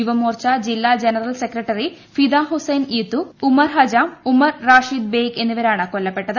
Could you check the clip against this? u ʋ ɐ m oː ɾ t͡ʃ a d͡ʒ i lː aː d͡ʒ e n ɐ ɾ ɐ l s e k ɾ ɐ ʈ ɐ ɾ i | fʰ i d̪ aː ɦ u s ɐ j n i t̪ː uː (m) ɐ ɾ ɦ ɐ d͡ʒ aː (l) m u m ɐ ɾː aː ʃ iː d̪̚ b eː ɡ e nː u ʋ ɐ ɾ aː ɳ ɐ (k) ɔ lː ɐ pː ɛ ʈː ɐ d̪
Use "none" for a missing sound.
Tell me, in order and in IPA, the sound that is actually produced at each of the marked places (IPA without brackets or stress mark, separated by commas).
m, none, k